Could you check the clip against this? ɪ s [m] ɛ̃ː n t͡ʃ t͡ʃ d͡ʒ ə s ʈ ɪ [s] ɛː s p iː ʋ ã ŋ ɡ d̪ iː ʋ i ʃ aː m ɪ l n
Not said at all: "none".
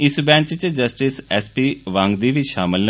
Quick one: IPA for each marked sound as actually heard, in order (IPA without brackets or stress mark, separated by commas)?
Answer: b, s